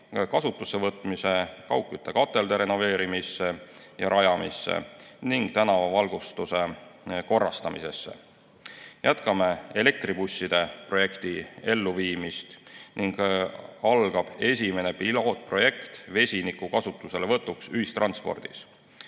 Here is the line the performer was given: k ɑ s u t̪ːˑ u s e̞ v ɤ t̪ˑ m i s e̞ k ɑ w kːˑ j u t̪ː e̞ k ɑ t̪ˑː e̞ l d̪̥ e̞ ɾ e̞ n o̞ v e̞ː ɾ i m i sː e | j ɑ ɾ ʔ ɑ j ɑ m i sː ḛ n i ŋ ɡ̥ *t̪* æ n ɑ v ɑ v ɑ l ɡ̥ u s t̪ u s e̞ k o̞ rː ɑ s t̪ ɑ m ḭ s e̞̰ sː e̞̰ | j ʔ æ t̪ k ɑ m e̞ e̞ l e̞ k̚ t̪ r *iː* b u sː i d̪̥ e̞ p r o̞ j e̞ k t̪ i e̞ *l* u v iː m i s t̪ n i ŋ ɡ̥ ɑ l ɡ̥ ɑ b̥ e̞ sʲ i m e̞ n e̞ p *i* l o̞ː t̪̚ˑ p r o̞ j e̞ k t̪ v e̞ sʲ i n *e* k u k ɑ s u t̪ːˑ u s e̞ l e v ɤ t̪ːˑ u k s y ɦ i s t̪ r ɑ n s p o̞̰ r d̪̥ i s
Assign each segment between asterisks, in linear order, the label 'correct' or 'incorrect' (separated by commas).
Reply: correct, incorrect, incorrect, correct, incorrect